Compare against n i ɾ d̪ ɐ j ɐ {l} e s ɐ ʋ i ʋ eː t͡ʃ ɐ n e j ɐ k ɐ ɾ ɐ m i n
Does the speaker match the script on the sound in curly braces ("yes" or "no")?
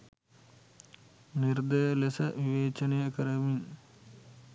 yes